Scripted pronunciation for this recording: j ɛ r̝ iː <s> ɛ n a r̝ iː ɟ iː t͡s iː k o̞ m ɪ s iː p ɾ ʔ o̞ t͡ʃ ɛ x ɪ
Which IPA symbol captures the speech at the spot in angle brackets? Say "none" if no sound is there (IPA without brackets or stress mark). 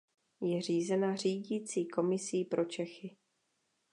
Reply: z